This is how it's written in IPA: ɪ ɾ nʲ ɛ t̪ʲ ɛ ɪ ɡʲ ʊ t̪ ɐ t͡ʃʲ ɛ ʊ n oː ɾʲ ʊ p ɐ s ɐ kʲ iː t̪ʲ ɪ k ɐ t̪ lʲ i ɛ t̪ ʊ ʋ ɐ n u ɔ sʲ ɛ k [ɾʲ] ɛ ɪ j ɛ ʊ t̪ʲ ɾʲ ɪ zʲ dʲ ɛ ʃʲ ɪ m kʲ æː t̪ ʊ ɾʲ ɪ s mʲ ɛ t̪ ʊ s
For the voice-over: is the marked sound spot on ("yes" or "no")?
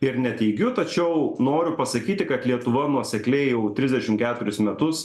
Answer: no